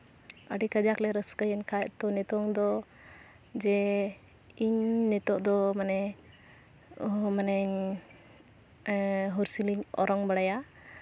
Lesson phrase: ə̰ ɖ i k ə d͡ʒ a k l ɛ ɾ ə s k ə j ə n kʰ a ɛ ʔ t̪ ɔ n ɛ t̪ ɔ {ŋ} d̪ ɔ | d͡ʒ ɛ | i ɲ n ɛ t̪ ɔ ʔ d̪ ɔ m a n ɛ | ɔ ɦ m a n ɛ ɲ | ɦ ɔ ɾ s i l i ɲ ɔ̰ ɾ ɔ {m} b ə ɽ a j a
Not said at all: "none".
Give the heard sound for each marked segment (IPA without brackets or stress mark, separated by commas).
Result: ŋ, ŋ